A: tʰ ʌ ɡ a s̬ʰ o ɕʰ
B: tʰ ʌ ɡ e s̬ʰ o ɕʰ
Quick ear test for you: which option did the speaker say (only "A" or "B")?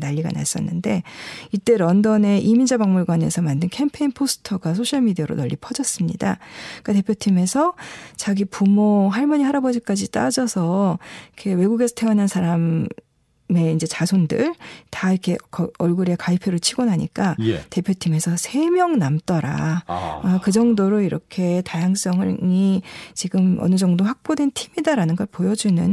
A